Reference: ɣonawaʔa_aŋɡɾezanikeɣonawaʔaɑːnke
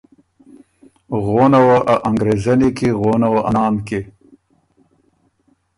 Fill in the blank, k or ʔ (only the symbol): ʔ